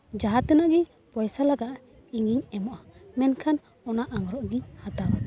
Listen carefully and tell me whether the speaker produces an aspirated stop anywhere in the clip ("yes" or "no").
yes